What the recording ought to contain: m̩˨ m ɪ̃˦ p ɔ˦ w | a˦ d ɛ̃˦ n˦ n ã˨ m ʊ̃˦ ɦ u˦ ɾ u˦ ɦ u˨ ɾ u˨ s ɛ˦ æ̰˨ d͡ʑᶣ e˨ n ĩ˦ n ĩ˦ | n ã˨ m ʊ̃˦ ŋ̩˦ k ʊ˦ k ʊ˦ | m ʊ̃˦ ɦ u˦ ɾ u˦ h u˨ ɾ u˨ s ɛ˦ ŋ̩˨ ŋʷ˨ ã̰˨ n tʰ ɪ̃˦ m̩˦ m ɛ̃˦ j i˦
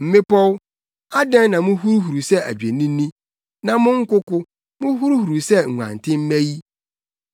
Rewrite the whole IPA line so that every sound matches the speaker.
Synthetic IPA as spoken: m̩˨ m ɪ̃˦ p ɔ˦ w | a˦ d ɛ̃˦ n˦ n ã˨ m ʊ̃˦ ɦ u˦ ɾ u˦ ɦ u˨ ɾ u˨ s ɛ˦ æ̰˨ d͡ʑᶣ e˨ n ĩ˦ n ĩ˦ | n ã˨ m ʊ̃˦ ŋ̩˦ k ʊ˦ k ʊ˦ | m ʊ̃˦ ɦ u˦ ɾ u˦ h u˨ ɾ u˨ s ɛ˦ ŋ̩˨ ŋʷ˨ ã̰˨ n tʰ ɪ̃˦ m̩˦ m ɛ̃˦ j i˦